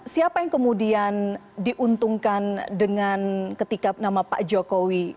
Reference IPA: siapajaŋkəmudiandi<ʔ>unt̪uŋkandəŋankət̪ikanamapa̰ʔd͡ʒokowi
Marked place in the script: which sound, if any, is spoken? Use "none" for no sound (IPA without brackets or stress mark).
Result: ʔ